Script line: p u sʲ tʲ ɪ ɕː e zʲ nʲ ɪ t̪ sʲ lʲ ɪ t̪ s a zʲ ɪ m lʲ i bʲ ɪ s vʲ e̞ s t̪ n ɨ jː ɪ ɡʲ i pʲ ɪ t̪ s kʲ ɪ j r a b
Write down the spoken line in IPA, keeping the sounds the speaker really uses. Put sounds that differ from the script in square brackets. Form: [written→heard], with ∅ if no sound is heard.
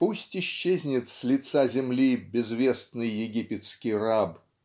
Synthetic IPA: p u sʲ tʲ ɪ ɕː e zʲ nʲ ɪ t̪ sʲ lʲ ɪ t̪ s a zʲ ɪ m lʲ i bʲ ɪ [s→z] vʲ e̞ s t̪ n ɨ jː ɪ ɡʲ i pʲ ɪ t̪ s kʲ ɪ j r a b